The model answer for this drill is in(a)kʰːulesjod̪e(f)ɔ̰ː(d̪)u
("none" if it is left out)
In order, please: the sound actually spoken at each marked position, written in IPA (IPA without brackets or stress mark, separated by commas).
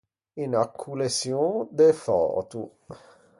a, f, t̪